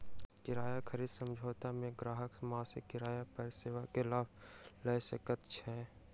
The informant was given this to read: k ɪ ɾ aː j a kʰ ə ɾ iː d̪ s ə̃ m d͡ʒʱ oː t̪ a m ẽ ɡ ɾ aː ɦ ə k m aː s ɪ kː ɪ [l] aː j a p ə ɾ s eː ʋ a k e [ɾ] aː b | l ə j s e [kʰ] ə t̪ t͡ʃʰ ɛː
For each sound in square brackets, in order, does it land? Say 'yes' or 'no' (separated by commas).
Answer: no, no, no